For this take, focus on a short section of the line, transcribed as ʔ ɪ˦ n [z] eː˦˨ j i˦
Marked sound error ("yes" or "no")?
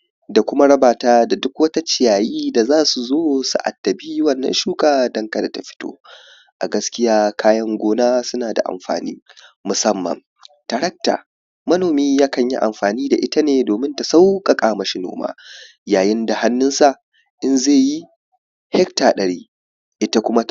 no